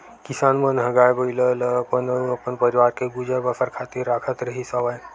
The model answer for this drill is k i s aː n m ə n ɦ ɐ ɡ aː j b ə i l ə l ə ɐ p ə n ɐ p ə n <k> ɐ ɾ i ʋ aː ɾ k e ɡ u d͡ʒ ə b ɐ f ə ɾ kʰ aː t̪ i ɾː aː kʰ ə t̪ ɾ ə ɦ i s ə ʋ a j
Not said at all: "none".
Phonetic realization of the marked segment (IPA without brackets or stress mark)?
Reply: p